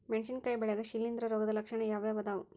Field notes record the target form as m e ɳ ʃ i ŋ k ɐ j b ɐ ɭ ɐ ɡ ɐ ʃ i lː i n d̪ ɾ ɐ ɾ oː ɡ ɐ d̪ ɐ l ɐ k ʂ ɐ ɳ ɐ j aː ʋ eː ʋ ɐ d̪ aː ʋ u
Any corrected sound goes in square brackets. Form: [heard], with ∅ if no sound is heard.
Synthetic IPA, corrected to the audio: m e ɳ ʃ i [n] k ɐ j b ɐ ɭ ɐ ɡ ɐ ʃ i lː i n d̪ ɾ ɐ ɾ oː ɡ ɐ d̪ ɐ l ɐ k ʂ ɐ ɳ ɐ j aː ʋ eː ʋ ɐ d̪ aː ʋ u